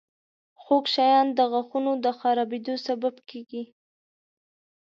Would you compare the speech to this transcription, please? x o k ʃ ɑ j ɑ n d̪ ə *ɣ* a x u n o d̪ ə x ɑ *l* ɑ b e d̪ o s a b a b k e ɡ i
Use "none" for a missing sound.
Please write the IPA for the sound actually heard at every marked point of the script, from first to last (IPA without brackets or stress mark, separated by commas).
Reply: ɣ, ɾ